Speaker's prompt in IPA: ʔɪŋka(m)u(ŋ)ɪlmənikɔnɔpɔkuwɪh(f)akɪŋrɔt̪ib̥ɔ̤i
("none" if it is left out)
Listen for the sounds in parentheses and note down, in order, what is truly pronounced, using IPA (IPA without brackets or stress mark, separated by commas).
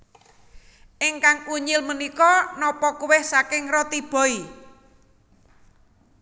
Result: ŋ, ɲ, s